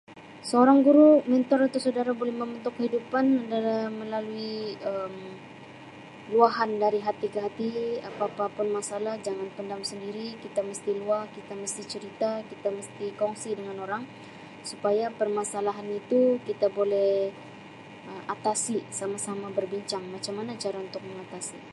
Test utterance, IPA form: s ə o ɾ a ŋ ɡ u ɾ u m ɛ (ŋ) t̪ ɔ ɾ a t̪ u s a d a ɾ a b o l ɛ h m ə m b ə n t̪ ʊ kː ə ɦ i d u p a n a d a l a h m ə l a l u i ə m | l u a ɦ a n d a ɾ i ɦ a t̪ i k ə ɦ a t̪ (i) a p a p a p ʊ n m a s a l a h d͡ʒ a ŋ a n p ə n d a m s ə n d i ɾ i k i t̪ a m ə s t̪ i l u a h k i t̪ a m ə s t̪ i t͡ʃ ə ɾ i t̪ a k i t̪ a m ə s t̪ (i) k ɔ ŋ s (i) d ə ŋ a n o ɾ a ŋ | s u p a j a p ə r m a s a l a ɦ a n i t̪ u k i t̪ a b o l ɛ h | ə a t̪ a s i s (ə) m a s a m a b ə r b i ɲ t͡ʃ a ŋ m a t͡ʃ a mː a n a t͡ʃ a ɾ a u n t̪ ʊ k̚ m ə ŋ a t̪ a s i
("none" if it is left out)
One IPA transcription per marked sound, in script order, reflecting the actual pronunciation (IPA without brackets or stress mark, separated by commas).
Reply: n, i, i, i, a